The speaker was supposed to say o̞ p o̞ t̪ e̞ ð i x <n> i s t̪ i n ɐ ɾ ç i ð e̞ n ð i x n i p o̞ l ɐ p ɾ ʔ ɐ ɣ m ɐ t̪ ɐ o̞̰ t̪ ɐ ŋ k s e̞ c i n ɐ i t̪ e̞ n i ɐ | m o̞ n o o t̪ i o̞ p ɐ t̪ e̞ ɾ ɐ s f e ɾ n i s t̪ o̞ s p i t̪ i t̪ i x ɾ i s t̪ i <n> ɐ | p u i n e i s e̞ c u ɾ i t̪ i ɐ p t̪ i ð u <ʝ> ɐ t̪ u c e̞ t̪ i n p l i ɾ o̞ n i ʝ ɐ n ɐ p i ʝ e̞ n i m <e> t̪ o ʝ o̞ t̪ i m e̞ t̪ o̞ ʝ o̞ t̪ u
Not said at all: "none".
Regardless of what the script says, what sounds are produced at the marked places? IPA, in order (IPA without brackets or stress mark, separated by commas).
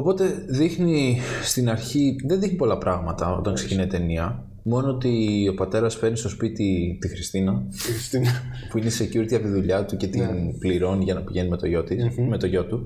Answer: n, n, ʎ, e